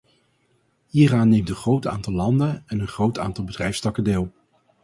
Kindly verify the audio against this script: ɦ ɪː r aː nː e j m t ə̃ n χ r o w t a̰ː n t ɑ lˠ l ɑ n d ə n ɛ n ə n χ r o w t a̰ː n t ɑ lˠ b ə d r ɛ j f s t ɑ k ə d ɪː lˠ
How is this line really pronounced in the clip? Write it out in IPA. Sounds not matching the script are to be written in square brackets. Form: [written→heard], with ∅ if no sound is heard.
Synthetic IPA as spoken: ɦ [ɪː→iː] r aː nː e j m t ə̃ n χ r o w t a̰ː n t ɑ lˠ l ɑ n d ə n ɛ n ə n χ r o w t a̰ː n t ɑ lˠ b ə d r ɛ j f s t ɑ k ə d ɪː lˠ